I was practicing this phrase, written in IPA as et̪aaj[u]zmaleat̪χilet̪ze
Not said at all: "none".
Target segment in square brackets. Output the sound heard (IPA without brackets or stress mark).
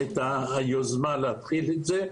o